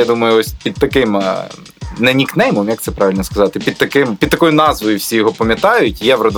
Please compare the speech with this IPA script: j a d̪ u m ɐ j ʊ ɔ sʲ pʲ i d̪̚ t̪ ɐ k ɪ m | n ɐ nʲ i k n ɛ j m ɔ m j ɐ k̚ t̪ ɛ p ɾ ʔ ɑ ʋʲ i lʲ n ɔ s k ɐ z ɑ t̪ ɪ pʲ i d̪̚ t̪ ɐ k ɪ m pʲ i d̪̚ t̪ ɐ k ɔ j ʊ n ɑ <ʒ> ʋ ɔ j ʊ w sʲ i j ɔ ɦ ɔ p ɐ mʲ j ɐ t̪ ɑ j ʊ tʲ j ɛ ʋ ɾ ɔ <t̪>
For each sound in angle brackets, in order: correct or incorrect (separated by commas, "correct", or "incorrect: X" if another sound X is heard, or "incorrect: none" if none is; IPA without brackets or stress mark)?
incorrect: z, incorrect: d̪